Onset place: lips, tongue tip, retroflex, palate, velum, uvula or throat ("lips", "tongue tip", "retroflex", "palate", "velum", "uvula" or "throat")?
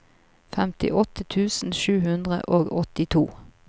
lips